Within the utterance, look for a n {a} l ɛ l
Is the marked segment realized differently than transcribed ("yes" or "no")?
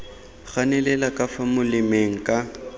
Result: yes